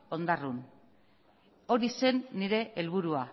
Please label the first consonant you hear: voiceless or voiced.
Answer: voiced